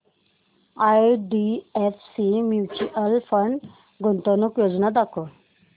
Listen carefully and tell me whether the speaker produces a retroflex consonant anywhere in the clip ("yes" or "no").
yes